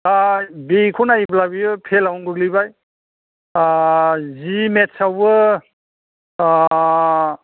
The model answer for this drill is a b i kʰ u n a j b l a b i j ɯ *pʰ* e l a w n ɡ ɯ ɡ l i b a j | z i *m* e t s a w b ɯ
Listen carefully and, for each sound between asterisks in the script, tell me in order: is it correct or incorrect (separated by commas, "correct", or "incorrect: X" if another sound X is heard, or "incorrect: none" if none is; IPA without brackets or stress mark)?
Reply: correct, correct